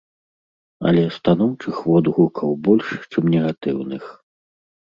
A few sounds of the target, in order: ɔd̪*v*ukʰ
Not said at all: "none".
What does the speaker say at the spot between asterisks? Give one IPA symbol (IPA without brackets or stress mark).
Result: ɣ